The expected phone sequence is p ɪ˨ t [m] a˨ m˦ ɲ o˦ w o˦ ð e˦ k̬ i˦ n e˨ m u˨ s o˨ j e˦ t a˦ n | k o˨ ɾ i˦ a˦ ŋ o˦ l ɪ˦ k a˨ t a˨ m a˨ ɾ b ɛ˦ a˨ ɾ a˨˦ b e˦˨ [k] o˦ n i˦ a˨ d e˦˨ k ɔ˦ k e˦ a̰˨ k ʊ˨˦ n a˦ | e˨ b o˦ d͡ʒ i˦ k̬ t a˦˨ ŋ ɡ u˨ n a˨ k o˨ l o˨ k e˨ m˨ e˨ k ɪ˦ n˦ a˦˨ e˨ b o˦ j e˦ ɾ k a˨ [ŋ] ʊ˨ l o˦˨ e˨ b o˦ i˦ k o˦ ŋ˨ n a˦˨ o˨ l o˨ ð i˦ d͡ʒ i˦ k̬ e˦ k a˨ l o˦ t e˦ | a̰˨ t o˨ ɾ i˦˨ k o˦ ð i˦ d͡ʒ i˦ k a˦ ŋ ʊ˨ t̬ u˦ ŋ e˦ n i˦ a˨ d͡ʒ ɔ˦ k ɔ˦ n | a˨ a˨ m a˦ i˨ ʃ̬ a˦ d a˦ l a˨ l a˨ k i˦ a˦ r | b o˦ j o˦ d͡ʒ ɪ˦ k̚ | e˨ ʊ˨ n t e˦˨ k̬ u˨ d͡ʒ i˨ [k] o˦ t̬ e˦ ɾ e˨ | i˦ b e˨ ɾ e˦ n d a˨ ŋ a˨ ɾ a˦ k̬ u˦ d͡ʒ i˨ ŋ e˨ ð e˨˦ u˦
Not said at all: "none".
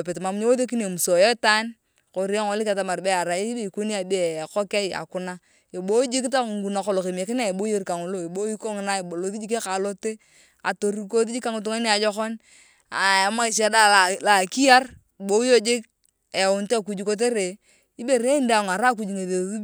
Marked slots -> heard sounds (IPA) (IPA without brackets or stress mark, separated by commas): m, k, ŋ, k